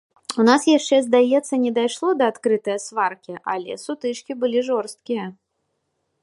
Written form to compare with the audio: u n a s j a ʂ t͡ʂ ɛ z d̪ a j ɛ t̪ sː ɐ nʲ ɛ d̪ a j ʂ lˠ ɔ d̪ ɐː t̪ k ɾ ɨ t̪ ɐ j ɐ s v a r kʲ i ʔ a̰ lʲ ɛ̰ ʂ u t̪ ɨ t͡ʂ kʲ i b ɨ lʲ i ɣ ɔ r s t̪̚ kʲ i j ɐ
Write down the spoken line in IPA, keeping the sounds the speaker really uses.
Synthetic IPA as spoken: u n a s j a ʂ t͡ʂ ɛ z d̪ a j ɛ t̪ sː ɐ nʲ ɛ d̪ a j ʂ lˠ ɔ d̪ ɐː t̪ k ɾ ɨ t̪ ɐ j ɐ s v a r kʲ i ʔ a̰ lʲ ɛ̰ s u t̪ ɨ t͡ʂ kʲ i b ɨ lʲ i ʐ ɔ r s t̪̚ kʲ i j ɐ